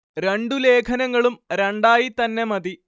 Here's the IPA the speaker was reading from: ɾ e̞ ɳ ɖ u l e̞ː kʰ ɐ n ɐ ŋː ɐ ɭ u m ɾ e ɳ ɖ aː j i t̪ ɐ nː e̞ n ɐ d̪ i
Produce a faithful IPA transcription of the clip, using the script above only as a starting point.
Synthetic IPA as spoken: ɾ e̞ ɳ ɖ u l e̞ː kʰ ɐ n ɐ ŋː ɐ ɭ u m ɾ e ɳ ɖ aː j i t̪ ɐ nː e̞ m ɐ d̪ i